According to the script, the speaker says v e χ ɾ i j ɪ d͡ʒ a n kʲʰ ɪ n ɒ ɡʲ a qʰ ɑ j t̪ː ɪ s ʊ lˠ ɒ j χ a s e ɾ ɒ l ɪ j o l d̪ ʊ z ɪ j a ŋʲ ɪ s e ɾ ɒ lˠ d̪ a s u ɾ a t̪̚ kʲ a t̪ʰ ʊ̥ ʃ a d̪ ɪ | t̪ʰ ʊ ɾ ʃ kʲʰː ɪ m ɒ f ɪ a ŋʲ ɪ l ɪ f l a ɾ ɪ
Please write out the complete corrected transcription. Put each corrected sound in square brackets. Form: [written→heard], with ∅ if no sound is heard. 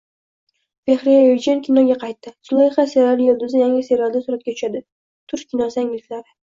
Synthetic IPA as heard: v e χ ɾ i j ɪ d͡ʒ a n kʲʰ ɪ n ɒ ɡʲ a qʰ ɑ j t̪ː ɪ s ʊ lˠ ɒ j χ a s e ɾ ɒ l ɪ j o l d̪ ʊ z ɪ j a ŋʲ ɪ s e ɾ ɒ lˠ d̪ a s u ɾ a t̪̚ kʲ a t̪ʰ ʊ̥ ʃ a d̪ ɪ | t̪ʰ ʊ ɾ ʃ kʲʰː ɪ [m→n] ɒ [f→s] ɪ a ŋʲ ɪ l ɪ f l a ɾ ɪ

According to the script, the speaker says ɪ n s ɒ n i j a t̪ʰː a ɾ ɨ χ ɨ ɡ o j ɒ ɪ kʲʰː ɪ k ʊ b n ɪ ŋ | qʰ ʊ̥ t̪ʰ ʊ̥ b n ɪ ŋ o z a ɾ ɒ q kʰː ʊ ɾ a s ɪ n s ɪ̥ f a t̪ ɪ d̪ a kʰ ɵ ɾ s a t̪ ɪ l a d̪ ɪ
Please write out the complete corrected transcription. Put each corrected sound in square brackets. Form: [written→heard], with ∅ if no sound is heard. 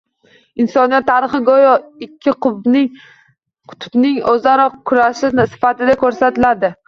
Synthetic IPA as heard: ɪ n s ɒ n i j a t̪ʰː a ɾ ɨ χ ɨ ɡ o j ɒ ɪ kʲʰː ɪ [k→q] ʊ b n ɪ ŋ | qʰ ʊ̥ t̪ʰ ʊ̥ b n ɪ ŋ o z a ɾ ɒ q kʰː ʊ ɾ a [s→ʃ] ɪ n s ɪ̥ f a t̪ ɪ d̪ a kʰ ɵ ɾ s a t̪ ɪ l a d̪ ɪ

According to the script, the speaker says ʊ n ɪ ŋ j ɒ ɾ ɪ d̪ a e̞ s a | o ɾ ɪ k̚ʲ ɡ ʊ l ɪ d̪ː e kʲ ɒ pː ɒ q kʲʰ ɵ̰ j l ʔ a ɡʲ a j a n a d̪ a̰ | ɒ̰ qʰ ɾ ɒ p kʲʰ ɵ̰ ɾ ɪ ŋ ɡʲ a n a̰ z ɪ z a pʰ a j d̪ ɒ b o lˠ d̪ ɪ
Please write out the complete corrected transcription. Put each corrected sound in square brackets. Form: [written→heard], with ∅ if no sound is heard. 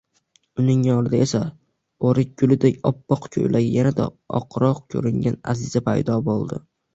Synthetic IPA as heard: ʊ n ɪ ŋ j ɒ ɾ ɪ d̪ a e̞ s a | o ɾ ɪ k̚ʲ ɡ ʊ l ɪ [d̪ː→d̪] e kʲ ɒ pː ɒ q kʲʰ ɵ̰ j l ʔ a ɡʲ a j a n a d̪ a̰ | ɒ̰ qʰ ɾ ɒ [p→q] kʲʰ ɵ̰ ɾ ɪ ŋ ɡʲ a n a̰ z ɪ z a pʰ a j d̪ ɒ b o lˠ d̪ ɪ

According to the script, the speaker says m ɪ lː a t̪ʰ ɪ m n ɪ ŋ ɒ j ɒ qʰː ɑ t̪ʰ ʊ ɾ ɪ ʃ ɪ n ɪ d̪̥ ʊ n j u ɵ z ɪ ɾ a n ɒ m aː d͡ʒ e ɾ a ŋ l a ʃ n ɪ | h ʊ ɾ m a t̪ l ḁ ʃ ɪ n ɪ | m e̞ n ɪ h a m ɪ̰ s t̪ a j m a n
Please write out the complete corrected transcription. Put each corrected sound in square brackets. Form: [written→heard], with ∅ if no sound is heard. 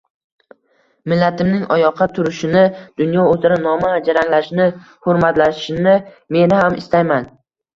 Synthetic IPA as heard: m ɪ lː a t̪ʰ ɪ m n ɪ ŋ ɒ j ɒ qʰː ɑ t̪ʰ ʊ ɾ ɪ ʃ ɪ n ɪ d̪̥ ʊ n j [u→ɒ] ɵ z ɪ ɾ a n ɒ m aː d͡ʒ [e→a] ɾ a ŋ l a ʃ n ɪ | h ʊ ɾ m a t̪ l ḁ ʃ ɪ n ɪ | m e̞ n ɪ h a m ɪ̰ s t̪ a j m a n

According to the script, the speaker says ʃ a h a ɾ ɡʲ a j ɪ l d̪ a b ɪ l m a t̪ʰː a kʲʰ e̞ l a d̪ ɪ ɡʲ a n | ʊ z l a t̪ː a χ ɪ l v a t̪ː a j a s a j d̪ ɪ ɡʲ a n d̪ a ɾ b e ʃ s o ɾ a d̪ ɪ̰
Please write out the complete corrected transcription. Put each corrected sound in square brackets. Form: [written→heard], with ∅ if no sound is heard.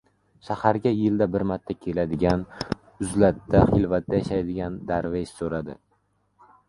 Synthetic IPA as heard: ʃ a h a ɾ ɡʲ a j ɪ l d̪ a b ɪ [l→ɾ] m a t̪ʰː a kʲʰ e̞ l a d̪ ɪ ɡʲ a n | ʊ z l a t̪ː a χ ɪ l v a t̪ː a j a [s→ʃ] a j d̪ ɪ ɡʲ a n d̪ a ɾ [b→v] e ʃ s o ɾ a d̪ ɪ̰

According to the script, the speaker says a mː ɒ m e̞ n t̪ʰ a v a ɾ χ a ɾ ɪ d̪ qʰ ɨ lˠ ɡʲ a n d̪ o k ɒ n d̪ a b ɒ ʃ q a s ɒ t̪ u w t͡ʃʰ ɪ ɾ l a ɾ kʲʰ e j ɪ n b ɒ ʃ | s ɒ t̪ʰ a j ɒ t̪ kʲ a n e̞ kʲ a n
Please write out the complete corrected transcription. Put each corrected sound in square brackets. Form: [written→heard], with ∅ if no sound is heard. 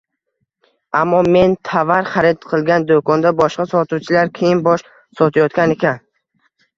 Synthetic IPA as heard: a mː ɒ m e̞ n t̪ʰ a v a ɾ χ a ɾ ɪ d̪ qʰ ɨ lˠ ɡʲ a n d̪ o k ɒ n d̪ a b ɒ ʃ q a s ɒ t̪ u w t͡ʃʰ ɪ [ɾ→∅] l a ɾ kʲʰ e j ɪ n b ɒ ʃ | s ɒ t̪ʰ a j ɒ t̪ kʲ a n e̞ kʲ a n

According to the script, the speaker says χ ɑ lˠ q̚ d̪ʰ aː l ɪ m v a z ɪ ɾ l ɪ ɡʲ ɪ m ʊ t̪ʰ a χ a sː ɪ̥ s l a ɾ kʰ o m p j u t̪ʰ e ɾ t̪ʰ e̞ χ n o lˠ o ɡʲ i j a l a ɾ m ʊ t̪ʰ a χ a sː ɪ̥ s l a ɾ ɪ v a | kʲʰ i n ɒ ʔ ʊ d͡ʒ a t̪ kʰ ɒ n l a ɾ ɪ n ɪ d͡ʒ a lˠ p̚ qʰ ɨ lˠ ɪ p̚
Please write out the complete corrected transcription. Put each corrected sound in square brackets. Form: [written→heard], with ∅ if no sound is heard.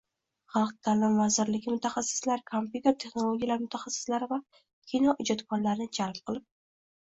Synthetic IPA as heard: χ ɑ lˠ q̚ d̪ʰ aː l ɪ m v a z ɪ ɾ l ɪ ɡʲ ɪ m ʊ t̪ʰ a χ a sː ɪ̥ s l a ɾ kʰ o m p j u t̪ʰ e ɾ t̪ʰ e̞ χ n o lˠ o ɡʲ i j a l a ɾ m ʊ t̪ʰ a χ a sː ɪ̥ s l a ɾ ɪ v a | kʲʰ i n ɒ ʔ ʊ d͡ʒ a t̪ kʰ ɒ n l a ɾ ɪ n ɪ d͡ʒ a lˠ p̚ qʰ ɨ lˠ ɪ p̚

